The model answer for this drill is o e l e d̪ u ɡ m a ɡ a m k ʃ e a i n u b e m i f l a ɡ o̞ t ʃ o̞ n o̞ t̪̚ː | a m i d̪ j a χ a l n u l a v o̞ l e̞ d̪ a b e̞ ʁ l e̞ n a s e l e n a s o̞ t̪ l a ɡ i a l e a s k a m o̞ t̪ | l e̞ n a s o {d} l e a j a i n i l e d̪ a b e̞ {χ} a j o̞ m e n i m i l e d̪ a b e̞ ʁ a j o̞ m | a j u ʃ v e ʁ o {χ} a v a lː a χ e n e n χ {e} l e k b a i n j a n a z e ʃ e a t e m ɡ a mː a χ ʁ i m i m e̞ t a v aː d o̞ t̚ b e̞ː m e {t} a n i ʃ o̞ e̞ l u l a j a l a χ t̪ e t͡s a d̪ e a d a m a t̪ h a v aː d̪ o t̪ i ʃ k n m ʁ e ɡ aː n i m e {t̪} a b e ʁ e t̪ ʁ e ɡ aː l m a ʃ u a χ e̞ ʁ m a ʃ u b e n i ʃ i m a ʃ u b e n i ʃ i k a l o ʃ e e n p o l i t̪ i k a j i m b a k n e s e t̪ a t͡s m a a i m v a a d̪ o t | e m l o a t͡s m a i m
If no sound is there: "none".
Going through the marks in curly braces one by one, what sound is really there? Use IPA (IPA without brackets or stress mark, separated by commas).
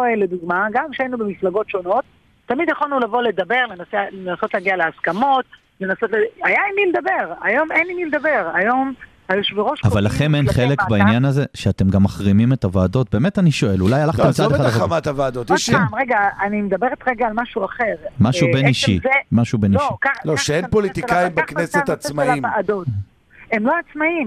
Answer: t, ʁ, ʃ, e, t, d̪